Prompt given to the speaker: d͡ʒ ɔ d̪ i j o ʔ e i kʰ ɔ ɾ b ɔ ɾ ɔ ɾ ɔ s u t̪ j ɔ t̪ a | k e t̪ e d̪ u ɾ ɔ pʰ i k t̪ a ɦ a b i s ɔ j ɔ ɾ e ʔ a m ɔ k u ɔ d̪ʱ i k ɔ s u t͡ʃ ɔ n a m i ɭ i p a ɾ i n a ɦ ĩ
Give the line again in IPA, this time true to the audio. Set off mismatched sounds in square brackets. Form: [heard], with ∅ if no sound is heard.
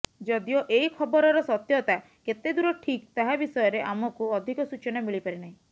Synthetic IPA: d͡ʒ ɔ d̪ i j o ʔ e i kʰ ɔ [∅] b ɔ ɾ ɔ ɾ ɔ s [ɔ] t̪ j ɔ t̪ a | k e t̪ e d̪ u ɾ ɔ [ʈʰ] i k t̪ a ɦ a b i s ɔ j ɔ ɾ e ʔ a m ɔ k u ɔ d̪ʱ i k ɔ s u t͡ʃ ɔ n a m i ɭ i p a ɾ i n a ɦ ĩ